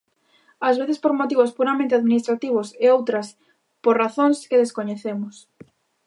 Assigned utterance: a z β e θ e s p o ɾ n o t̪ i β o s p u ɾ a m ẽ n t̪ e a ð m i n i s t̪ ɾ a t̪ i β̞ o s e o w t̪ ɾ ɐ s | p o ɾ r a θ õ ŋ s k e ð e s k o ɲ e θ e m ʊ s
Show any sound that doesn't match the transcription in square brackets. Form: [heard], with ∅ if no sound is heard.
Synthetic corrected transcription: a z β e θ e s p o ɾ [m] o t̪ i β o s p u ɾ a m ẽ n t̪ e a ð m i n i s t̪ ɾ a t̪ i β̞ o s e o w t̪ ɾ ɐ s | p o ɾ r a θ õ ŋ s k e ð e s k o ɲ e θ e m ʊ s